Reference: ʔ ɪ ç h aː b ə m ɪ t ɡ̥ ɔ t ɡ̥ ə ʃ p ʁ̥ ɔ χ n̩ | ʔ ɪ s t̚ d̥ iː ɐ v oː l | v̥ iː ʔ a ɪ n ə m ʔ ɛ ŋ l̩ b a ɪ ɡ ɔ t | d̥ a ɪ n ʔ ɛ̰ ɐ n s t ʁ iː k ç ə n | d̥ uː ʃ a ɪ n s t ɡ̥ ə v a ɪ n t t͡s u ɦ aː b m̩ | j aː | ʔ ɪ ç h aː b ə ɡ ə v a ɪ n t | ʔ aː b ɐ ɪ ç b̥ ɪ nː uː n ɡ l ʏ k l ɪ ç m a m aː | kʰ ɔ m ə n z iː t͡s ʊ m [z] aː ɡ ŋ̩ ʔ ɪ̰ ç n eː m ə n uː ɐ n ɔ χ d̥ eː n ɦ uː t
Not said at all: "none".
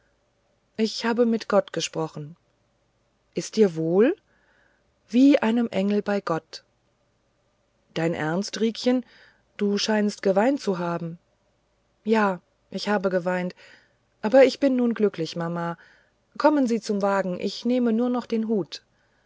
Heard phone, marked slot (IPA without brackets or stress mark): v